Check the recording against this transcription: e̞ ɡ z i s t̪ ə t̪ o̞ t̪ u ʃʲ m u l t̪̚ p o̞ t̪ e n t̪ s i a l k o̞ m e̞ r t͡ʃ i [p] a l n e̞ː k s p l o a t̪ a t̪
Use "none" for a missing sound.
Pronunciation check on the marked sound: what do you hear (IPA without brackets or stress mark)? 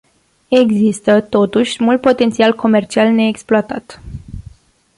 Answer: none